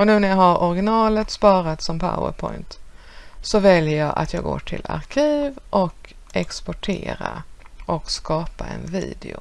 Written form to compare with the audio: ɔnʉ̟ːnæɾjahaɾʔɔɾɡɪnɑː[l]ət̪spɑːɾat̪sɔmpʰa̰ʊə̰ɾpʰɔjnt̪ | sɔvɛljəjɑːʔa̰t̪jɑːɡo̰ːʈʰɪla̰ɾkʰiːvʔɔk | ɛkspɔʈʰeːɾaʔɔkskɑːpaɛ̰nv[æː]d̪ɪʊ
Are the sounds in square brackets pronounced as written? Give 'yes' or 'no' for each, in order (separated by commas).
yes, no